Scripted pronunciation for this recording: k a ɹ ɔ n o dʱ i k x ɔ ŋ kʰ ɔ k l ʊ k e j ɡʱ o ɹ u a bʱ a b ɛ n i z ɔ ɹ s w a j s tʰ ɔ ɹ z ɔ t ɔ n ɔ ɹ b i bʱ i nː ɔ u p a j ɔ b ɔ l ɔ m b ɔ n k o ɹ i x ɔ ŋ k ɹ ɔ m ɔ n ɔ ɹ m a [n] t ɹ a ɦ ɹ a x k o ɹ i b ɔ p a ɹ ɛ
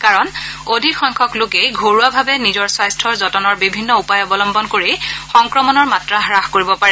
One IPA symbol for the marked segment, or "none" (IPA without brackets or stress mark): none